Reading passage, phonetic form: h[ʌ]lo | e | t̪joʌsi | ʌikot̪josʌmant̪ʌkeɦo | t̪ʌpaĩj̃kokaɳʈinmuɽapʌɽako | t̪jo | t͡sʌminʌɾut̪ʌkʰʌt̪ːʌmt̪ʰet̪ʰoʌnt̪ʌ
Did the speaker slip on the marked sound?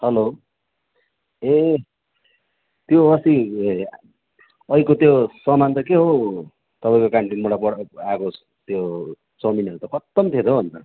no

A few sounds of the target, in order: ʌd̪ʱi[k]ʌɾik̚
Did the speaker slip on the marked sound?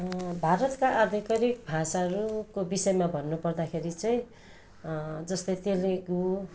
no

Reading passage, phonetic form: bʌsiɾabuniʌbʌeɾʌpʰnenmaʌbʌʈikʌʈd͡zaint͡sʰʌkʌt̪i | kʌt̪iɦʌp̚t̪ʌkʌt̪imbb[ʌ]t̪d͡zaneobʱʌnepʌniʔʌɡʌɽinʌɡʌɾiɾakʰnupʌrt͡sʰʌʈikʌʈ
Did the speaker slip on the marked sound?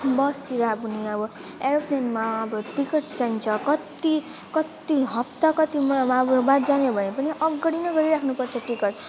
yes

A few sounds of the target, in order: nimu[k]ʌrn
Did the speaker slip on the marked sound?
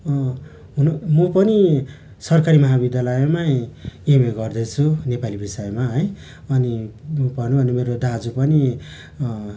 yes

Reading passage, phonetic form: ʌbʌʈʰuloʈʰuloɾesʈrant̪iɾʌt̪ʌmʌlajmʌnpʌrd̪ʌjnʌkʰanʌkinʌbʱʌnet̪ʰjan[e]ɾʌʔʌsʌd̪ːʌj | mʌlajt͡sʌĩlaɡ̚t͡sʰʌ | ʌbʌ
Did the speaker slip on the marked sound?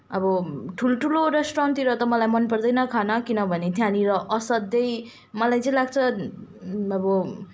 yes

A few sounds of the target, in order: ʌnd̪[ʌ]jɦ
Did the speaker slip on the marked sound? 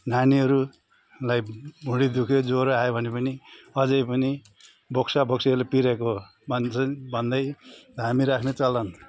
no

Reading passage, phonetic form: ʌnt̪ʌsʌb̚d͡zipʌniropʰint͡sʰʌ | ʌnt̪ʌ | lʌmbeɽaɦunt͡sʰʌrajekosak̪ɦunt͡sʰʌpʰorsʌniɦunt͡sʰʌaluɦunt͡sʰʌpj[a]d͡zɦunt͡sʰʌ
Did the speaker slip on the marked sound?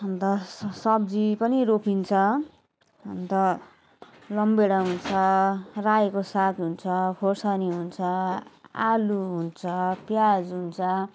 no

